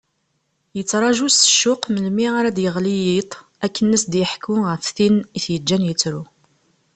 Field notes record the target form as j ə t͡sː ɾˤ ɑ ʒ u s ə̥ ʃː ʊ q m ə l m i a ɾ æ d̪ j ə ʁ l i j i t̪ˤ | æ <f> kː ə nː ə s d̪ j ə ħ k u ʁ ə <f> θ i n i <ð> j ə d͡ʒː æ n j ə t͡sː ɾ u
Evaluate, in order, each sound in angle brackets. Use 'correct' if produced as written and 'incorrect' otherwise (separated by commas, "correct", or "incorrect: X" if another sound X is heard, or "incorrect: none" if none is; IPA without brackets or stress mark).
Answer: incorrect: none, correct, incorrect: θ